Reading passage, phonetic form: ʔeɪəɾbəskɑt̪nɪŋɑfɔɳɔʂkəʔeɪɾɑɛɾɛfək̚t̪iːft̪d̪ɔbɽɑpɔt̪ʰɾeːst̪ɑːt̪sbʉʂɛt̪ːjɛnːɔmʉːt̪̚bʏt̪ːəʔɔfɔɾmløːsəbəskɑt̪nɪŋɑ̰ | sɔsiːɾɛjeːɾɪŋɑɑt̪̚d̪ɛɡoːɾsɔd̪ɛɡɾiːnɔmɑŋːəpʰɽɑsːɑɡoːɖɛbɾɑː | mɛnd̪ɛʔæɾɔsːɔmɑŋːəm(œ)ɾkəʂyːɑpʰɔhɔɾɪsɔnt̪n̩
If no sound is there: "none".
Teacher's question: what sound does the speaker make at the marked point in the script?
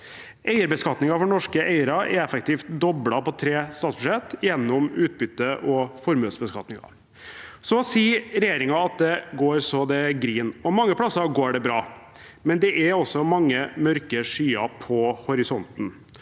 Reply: œ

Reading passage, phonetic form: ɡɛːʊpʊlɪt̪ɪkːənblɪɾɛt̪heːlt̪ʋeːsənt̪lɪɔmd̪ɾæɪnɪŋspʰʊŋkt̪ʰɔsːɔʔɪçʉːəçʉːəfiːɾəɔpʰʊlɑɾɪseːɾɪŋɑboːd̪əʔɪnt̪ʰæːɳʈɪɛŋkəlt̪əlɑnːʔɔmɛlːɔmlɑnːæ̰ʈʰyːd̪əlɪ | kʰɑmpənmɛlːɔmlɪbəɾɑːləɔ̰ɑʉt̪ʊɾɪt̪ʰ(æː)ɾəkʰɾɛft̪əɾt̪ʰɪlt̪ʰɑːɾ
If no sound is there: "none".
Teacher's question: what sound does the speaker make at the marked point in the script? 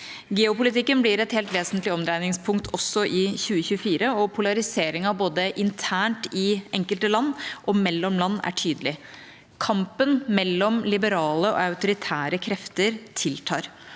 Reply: æː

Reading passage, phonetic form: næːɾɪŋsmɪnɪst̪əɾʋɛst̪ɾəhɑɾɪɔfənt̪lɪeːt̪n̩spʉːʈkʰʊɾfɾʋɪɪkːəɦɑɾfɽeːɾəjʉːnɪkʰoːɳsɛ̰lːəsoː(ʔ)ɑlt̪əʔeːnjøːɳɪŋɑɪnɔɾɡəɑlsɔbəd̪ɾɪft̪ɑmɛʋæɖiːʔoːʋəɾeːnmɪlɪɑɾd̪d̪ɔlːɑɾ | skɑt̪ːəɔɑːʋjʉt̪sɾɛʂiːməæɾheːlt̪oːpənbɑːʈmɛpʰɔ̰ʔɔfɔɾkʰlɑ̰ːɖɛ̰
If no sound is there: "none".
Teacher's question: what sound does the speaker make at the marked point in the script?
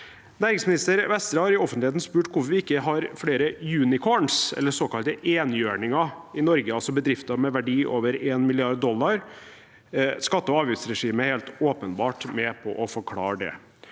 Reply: k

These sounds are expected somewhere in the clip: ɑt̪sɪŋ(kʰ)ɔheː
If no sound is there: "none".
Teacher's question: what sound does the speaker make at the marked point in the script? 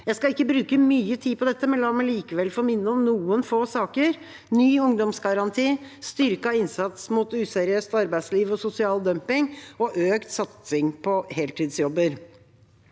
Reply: pʰ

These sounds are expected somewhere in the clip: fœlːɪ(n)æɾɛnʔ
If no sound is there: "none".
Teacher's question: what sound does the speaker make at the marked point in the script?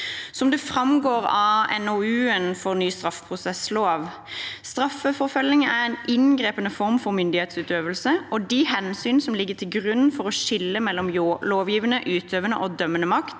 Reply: ŋ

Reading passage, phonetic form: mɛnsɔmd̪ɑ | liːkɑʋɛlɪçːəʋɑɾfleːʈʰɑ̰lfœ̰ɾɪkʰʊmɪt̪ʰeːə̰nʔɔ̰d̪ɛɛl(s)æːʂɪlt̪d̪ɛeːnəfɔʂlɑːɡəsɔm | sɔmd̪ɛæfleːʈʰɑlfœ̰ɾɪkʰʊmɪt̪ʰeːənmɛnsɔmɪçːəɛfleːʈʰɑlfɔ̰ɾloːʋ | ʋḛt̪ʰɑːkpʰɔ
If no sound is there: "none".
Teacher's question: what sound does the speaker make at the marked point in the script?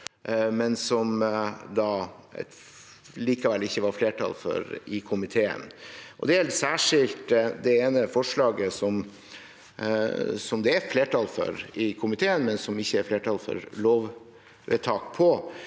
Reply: s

